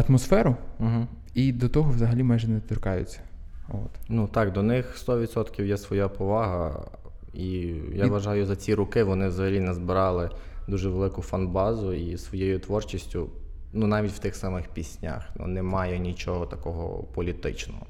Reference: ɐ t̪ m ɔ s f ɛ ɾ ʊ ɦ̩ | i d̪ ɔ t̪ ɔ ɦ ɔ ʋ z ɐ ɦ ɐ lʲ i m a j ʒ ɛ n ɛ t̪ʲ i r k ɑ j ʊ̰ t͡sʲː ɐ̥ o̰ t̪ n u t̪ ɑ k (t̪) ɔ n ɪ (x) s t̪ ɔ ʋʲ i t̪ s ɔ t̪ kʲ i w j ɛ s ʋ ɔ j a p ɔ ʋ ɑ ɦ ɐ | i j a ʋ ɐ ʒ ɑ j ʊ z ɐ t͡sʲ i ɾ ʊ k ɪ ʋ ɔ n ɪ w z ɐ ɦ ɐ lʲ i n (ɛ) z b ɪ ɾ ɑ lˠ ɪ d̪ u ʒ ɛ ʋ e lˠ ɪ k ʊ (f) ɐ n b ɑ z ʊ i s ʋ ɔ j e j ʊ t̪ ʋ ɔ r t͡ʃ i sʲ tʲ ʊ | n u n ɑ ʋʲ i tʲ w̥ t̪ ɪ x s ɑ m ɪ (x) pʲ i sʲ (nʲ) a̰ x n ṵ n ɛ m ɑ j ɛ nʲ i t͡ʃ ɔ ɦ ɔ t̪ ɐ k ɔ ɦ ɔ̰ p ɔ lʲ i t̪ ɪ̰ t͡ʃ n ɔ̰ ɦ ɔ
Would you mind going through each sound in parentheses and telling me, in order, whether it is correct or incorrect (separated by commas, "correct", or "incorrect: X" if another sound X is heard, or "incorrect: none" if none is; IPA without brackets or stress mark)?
incorrect: d̪, correct, correct, correct, correct, correct